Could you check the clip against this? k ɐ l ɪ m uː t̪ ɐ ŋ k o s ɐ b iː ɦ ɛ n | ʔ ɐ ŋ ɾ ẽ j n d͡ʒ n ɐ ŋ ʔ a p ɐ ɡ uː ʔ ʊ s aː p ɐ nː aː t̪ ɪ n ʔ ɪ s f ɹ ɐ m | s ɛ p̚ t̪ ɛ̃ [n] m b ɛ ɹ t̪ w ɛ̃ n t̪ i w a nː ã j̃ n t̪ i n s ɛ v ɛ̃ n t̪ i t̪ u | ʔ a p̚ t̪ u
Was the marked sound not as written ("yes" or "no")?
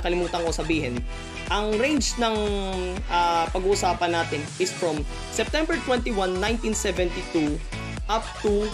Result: yes